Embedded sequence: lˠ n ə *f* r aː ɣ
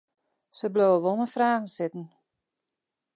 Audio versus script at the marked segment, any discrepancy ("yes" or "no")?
no